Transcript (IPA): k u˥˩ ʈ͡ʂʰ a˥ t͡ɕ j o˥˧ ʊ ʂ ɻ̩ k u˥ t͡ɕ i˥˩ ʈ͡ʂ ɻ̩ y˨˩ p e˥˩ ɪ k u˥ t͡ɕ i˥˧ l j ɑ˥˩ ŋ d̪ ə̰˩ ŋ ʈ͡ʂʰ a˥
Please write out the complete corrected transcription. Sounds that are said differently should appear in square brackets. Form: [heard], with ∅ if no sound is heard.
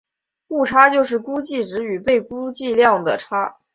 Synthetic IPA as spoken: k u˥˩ ʈ͡ʂʰ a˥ t͡ɕ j o˥˧ ʊ ʂ ɻ̩ k u˥ t͡ɕ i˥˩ ʈ͡ʂ ɻ̩ y˨˩ p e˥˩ ɪ k u˥ t͡ɕ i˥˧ l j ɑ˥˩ ŋ d̪ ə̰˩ [∅] ʈ͡ʂʰ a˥